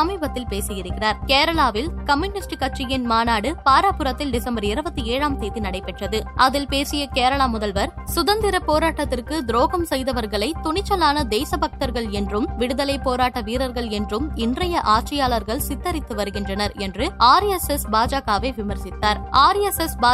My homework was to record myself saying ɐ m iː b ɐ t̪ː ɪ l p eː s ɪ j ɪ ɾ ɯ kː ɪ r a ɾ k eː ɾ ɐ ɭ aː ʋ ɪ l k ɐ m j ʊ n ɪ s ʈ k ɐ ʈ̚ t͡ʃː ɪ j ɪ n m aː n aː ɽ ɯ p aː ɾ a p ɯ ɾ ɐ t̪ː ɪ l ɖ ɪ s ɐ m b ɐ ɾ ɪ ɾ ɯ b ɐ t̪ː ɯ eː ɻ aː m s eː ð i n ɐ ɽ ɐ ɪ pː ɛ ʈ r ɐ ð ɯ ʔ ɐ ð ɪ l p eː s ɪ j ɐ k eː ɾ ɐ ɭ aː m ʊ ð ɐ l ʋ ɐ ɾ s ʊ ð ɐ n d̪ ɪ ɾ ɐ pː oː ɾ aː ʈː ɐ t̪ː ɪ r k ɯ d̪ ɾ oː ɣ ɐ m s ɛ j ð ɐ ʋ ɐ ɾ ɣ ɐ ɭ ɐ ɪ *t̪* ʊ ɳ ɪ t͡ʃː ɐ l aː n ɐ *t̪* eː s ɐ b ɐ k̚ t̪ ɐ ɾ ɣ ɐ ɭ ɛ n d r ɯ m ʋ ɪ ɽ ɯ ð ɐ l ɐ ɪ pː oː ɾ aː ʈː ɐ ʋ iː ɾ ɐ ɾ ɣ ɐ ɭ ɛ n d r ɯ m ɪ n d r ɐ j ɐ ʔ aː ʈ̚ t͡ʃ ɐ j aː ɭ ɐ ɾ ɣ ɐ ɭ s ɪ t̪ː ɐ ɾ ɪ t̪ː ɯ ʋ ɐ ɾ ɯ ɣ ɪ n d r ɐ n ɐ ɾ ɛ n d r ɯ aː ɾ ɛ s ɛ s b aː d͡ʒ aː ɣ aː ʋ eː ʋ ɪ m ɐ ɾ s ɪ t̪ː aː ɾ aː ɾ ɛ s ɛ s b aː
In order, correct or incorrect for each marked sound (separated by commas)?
correct, incorrect